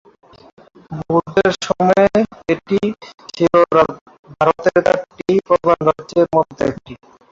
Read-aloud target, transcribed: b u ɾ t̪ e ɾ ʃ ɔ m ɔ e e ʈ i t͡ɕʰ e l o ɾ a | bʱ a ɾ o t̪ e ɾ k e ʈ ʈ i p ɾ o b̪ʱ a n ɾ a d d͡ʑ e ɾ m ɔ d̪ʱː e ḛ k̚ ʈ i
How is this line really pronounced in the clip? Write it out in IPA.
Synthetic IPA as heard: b u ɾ d̪ e ɾ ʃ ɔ m ɔ e e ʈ i t͡ɕʰ i l o ɾ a | bʱ a ɾ o t̪ e ɾ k a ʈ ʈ i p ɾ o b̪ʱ a n ɾ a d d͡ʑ e ɾ m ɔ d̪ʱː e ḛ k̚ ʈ i